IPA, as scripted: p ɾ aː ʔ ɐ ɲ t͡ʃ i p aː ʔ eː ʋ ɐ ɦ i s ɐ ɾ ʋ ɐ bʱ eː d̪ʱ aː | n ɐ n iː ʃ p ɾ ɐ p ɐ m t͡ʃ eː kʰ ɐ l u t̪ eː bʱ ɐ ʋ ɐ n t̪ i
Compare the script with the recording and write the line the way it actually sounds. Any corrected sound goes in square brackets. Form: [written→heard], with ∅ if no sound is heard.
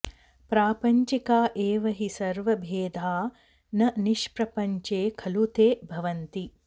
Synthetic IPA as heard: p ɾ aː [ʔ→p] ɐ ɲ t͡ʃ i [p→k] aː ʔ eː ʋ ɐ ɦ i s ɐ ɾ ʋ ɐ bʱ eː d̪ʱ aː | n ɐ n [iː→i] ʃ p ɾ ɐ p ɐ [m→ɲ] t͡ʃ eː kʰ ɐ l u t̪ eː bʱ ɐ ʋ ɐ n t̪ i